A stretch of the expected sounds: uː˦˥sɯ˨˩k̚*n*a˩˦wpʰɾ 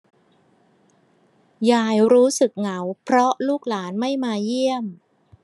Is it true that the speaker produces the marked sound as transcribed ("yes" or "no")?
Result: no